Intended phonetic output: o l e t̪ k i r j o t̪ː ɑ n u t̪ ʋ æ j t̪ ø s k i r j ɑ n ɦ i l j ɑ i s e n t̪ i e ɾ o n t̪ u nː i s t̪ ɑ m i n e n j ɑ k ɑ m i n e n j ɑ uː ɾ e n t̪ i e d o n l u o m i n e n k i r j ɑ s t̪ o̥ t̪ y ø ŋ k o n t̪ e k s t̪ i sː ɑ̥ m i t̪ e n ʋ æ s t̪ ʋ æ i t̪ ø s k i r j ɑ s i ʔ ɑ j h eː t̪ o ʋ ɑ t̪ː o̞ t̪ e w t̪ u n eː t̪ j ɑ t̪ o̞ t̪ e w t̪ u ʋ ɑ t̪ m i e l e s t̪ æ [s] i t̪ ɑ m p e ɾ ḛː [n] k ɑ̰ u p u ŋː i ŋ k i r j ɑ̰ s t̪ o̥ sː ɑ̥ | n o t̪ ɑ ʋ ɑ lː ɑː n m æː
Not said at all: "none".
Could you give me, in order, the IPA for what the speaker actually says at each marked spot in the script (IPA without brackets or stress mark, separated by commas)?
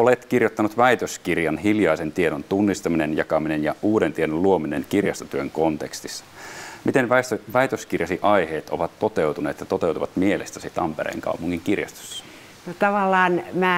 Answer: s, ŋ